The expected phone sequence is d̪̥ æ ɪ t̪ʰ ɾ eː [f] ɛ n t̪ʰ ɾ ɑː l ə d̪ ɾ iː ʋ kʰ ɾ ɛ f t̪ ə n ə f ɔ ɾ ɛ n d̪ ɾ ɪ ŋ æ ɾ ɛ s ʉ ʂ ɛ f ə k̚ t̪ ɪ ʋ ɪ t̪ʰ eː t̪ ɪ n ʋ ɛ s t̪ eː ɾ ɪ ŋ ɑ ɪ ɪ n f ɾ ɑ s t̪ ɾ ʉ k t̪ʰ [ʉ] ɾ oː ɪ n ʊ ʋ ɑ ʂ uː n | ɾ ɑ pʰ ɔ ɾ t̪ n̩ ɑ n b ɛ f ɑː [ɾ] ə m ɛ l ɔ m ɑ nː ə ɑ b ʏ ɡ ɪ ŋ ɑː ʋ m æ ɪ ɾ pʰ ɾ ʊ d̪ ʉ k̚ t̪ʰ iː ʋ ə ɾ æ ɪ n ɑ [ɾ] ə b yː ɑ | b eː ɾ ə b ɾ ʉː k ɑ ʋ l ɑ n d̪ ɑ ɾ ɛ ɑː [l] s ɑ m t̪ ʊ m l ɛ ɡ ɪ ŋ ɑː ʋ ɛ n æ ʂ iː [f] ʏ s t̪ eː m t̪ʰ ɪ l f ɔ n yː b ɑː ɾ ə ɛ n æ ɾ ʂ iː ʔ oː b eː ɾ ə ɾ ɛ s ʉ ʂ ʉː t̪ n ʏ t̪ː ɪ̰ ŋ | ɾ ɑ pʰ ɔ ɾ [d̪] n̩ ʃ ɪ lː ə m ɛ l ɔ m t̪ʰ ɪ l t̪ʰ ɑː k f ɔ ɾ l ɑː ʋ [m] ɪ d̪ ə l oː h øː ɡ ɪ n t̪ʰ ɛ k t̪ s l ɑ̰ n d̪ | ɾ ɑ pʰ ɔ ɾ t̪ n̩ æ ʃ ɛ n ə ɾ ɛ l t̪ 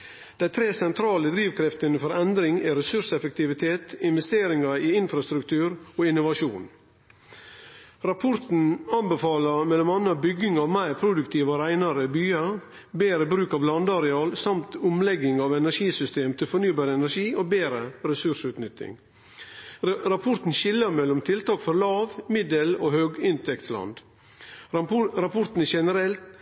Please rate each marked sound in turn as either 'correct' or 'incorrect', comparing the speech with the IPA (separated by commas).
incorrect, incorrect, incorrect, correct, correct, incorrect, incorrect, correct